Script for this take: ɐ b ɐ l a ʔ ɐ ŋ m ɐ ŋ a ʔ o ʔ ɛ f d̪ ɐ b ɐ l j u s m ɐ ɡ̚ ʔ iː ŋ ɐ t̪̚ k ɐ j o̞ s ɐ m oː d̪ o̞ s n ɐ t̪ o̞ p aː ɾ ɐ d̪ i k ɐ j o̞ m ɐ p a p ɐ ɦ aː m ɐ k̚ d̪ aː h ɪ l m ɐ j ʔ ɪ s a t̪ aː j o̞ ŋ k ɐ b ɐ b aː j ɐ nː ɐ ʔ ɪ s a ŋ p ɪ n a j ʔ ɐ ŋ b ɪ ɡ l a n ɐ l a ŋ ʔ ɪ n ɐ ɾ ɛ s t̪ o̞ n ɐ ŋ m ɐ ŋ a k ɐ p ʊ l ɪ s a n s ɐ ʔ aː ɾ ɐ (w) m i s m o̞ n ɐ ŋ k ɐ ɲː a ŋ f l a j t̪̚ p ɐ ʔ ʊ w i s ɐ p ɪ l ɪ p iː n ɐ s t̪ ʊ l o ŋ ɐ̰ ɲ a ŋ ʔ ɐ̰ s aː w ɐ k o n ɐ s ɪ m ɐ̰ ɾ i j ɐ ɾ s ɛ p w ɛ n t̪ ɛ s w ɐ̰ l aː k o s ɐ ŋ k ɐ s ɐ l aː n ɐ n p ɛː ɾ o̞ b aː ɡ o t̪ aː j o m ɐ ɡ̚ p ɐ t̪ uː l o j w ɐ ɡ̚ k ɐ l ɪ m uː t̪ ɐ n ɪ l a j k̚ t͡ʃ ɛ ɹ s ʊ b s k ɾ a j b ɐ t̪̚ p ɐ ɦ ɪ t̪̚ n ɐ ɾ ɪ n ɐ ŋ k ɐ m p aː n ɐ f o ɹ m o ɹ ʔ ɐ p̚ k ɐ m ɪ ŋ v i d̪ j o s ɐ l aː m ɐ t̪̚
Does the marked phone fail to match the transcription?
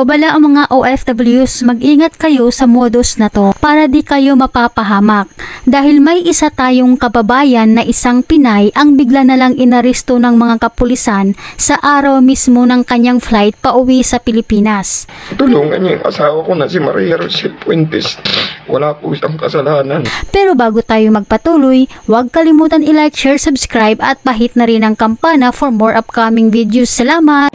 no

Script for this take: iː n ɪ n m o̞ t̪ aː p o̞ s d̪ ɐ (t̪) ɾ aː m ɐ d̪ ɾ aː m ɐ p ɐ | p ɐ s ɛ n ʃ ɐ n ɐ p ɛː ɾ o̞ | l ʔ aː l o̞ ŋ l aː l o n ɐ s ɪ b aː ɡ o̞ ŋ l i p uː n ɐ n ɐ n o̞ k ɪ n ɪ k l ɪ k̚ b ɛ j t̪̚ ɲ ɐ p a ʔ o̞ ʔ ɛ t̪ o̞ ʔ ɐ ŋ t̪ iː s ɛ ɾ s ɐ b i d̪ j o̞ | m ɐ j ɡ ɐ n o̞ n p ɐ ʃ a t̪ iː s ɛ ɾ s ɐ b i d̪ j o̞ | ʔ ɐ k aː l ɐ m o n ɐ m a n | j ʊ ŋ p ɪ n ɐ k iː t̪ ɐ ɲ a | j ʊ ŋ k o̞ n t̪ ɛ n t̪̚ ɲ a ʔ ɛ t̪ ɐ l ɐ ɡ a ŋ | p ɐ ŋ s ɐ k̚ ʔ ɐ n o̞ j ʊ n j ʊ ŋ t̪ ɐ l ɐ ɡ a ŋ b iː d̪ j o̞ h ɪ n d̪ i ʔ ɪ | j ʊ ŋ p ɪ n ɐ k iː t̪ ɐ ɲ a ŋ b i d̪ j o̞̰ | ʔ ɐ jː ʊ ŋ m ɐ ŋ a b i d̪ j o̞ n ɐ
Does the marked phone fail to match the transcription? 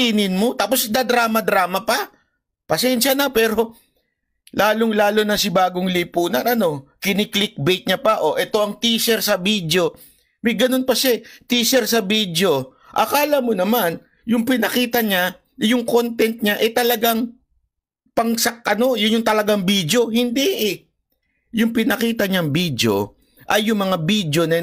yes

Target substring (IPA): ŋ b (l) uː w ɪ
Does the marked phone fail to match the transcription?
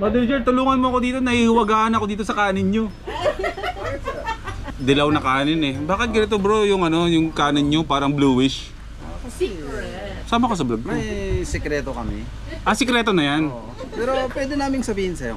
no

